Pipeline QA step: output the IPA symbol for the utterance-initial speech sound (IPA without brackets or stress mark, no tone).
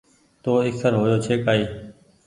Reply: t̪